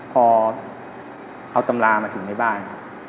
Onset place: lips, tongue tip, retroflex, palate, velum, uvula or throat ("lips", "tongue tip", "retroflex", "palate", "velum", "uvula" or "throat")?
lips